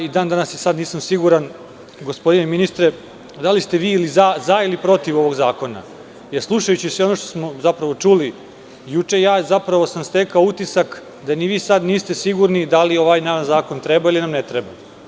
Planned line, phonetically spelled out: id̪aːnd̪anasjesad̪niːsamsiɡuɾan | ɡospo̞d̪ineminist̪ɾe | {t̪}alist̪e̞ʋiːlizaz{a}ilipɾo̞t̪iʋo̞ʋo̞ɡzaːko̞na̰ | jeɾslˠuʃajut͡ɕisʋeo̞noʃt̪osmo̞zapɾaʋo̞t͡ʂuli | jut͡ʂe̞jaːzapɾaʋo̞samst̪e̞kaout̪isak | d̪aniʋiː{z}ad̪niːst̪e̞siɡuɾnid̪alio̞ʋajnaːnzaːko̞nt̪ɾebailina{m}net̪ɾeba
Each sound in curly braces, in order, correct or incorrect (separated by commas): incorrect, correct, incorrect, correct